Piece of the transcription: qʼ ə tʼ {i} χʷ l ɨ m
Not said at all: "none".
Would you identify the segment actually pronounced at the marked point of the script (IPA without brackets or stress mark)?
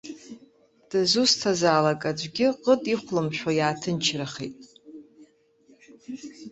i